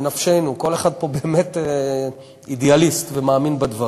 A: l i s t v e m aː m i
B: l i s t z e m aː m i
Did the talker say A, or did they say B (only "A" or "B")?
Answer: A